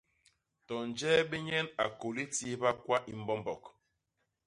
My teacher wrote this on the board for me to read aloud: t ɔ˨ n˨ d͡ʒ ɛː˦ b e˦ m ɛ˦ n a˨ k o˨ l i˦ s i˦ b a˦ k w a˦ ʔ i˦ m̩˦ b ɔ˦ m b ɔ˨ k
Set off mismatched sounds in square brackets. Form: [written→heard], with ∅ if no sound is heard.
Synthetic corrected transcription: t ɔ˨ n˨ d͡ʒ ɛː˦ b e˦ [m→ɲ] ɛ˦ n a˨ k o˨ l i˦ [s→t] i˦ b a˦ k w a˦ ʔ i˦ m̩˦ b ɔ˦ m b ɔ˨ k